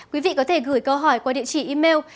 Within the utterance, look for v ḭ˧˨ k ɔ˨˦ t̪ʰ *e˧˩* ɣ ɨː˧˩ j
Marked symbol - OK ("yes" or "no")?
yes